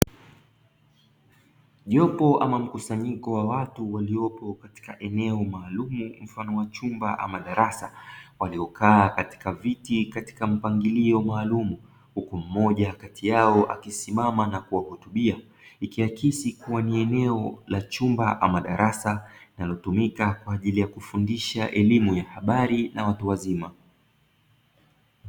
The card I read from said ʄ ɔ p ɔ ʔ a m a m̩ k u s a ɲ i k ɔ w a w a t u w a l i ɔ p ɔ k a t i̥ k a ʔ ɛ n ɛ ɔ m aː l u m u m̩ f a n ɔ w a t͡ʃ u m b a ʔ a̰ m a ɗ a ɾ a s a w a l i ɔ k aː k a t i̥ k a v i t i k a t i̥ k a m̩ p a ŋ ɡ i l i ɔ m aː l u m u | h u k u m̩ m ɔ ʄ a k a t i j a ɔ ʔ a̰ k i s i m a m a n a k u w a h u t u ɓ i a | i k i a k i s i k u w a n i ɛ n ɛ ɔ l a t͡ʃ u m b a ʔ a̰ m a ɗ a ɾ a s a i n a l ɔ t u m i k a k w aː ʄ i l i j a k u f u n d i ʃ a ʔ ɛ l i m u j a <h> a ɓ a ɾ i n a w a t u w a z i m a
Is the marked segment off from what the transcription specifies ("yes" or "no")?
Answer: no